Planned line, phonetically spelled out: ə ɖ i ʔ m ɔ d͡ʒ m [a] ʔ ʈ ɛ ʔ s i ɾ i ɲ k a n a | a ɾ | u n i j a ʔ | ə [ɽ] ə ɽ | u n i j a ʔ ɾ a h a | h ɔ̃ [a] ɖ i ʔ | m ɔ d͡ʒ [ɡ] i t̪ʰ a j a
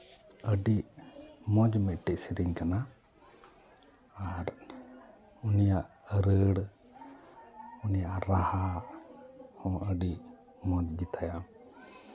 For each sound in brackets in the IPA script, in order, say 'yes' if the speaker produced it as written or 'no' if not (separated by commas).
no, no, no, yes